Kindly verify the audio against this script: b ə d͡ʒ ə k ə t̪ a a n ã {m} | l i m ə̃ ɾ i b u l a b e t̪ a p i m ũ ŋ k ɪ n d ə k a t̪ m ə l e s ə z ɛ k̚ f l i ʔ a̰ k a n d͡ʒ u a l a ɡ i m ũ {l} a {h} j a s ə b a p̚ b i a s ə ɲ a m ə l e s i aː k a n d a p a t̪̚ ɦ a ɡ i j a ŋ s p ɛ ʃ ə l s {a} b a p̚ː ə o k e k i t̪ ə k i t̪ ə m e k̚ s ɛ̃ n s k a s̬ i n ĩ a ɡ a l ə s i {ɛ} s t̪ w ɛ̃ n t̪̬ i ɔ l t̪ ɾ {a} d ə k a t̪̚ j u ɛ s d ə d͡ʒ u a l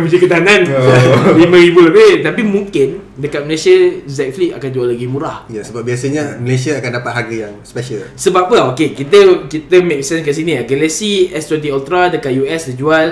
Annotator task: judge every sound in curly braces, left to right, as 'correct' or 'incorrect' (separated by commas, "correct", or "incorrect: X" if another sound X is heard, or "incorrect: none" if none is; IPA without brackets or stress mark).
incorrect: n, incorrect: ɾ, correct, incorrect: ə, correct, correct